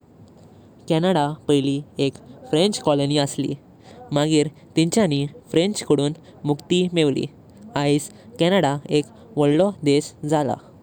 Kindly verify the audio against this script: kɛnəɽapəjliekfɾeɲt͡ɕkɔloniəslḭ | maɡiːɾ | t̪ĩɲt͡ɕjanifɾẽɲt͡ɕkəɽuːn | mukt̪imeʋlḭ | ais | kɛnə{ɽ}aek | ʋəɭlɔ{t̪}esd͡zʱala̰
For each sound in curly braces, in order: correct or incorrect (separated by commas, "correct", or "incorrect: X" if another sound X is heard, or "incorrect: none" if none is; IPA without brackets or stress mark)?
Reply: correct, incorrect: d̪